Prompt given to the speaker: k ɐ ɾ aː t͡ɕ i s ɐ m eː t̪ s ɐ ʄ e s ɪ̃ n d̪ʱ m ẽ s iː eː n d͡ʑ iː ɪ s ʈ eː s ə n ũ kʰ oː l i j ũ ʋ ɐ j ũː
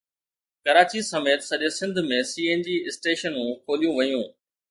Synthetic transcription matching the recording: k ɐ ɾ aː t͡ɕ i s ɐ m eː t̪ s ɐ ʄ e s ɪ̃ n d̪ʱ m ẽ s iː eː n d͡ʑ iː ɪ s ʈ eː ʃ ə n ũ kʰ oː l i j ũ ʋ ɐ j ũː